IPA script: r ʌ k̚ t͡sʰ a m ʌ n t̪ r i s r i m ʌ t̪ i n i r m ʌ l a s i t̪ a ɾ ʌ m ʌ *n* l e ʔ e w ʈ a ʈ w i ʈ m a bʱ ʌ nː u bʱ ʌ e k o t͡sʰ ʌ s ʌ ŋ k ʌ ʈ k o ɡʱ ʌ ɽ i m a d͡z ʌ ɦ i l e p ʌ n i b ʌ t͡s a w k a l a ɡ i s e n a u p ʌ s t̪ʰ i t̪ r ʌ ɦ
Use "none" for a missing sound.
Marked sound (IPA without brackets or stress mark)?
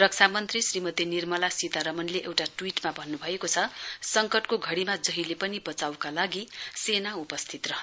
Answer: n